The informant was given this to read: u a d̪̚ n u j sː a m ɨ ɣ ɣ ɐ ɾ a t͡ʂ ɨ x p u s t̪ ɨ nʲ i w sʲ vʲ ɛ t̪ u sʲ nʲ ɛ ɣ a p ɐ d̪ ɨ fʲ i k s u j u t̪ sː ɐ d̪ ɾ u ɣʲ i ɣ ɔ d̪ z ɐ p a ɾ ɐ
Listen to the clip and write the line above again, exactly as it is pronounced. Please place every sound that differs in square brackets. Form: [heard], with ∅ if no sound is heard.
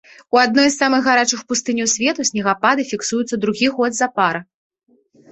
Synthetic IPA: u a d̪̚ n [ɔ] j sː a m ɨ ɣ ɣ [a] ɾ a t͡ʂ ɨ x p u s t̪ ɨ nʲ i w sʲ vʲ ɛ t̪ u sʲ nʲ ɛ ɣ a p [a] d̪ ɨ fʲ i k s u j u t̪ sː ɐ d̪ ɾ u ɣʲ i ɣ ɔ d̪ z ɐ p a ɾ ɐ